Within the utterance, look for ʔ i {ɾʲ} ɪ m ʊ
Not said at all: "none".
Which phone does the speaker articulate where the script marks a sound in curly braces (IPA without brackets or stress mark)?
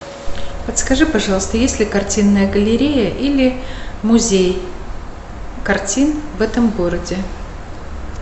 lʲ